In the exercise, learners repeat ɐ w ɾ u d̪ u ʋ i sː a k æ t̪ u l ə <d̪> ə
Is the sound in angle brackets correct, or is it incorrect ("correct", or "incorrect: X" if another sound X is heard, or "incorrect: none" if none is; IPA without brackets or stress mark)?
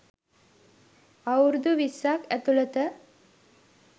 incorrect: t̪